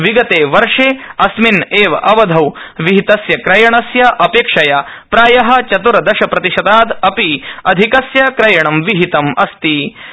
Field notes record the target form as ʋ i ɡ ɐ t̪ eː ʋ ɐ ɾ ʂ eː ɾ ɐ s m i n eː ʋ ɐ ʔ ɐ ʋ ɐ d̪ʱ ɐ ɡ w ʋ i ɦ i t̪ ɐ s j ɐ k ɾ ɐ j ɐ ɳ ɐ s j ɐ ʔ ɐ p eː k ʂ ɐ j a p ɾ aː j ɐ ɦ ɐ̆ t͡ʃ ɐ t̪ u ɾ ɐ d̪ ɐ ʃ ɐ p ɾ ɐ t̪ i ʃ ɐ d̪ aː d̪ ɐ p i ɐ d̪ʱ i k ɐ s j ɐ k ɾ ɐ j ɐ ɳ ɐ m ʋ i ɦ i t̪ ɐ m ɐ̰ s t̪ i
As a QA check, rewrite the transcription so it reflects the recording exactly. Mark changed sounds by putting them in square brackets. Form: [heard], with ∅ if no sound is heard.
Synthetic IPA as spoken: ʋ i ɡ ɐ t̪ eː ʋ ɐ ɾ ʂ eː [∅] ɐ s m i n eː ʋ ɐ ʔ ɐ ʋ ɐ d̪ʱ ɐ [∅] w ʋ i ɦ i t̪ ɐ s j ɐ k ɾ ɐ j ɐ ɳ ɐ s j ɐ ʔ ɐ p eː k ʂ ɐ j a p ɾ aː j ɐ ɦ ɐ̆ t͡ʃ ɐ t̪ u ɾ ɐ d̪ ɐ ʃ ɐ p ɾ ɐ t̪ i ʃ ɐ d̪ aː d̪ ɐ p i ɐ d̪ʱ i k ɐ s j ɐ k ɾ ɐ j ɐ ɳ ɐ m ʋ i ɦ i t̪ ɐ m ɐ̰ s t̪ i